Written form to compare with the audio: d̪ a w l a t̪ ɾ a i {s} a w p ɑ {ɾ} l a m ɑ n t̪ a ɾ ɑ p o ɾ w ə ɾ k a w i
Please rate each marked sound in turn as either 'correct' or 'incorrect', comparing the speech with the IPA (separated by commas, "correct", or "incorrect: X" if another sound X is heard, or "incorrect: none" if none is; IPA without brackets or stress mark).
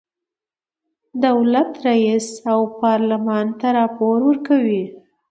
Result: correct, correct